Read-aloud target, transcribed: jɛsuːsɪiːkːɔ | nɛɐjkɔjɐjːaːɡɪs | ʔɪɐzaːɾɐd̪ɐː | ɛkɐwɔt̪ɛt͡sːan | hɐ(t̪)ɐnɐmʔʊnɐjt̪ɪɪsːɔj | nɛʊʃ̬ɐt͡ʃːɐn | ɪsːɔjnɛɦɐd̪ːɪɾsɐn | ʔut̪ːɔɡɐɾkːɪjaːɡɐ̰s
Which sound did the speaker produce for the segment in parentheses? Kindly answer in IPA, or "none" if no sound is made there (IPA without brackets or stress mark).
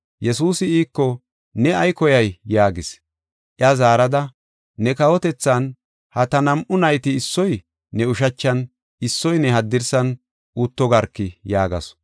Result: t̪